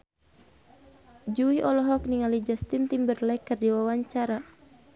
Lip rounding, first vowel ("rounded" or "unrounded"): rounded